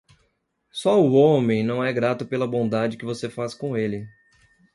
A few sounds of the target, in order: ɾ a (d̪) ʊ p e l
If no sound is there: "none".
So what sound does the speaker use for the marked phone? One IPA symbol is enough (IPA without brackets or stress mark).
t̪